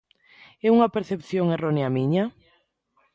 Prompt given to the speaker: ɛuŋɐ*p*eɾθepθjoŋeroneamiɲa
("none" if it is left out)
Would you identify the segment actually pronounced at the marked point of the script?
p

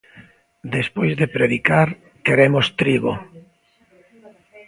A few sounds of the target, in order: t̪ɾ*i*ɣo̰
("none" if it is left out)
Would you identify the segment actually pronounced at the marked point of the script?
i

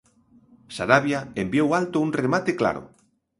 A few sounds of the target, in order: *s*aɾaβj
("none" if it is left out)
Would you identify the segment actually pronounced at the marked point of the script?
s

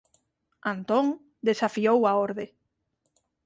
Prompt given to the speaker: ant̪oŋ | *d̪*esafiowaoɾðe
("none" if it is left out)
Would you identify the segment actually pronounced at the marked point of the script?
d̪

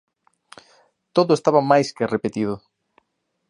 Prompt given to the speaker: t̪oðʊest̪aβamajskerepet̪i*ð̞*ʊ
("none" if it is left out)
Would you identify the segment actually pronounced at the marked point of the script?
ð̞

